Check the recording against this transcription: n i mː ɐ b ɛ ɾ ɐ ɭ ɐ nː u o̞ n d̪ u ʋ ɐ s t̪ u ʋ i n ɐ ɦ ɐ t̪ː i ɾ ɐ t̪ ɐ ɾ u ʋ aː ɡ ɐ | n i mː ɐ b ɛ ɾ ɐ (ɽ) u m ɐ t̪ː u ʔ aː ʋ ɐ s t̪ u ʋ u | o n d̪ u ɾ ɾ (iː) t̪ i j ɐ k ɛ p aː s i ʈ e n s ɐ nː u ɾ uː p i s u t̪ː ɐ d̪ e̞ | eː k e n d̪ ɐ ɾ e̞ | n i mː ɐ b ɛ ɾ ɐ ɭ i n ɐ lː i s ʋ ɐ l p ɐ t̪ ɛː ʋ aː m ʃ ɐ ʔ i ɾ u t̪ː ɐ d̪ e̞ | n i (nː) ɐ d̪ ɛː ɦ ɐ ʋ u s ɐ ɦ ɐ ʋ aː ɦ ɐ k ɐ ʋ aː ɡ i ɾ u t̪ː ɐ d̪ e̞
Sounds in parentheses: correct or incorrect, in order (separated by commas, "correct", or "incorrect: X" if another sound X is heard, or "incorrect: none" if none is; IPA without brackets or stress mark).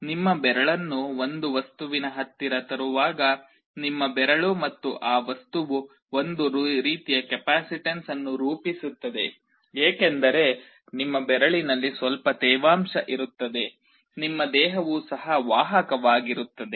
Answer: incorrect: ɭ, correct, incorrect: mː